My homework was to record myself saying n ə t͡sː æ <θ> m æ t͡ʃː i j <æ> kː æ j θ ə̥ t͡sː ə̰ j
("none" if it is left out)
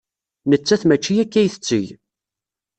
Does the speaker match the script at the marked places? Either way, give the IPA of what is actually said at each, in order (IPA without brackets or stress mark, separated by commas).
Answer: θ, æ